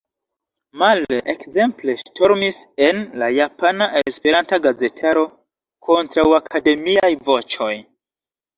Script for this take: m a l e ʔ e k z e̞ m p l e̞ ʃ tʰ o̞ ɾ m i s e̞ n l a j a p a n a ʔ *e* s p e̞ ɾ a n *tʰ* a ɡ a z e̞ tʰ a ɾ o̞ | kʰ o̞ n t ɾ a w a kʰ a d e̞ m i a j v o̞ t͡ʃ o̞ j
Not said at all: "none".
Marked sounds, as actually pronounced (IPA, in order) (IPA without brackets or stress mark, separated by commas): e, t